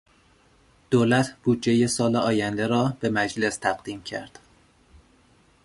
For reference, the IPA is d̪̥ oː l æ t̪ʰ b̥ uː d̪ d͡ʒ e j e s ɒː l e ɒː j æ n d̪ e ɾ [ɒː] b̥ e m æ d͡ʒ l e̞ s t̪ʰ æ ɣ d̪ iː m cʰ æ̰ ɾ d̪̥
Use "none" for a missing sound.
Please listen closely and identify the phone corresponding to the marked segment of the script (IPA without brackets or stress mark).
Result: ɒː